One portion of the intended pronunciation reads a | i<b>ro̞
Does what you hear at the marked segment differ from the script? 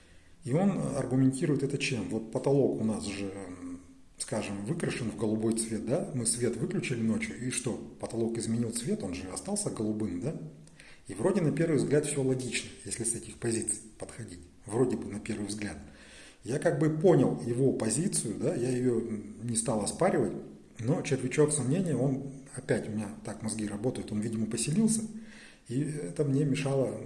yes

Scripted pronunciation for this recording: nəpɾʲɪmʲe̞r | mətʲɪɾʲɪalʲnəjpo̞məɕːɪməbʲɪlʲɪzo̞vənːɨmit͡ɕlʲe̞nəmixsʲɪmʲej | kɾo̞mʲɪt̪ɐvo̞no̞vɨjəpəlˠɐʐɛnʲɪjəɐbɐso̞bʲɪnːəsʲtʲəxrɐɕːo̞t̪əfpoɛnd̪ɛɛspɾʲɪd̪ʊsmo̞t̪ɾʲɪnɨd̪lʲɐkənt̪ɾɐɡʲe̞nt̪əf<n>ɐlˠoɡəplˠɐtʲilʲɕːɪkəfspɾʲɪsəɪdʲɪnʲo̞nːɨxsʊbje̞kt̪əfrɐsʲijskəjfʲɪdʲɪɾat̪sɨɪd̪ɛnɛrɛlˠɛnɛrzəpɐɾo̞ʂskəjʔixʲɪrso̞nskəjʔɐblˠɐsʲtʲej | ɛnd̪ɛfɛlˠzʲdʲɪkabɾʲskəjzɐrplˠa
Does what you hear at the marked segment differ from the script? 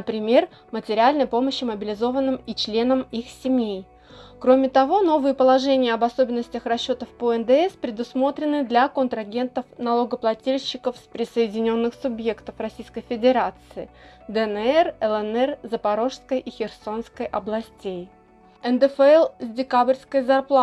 no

